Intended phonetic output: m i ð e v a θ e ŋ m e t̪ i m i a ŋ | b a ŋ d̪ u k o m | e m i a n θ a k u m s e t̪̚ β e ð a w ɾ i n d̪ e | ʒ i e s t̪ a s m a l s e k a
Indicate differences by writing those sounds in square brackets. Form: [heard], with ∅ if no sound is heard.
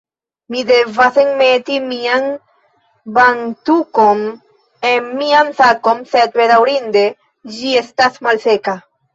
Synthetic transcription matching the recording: m i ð e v a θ e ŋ m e t̪ i m i a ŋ | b a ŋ [t̪] u k o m | e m i a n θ a k [o] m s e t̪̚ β e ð a w ɾ i n d̪ e | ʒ i e s t̪ a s m a l s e k a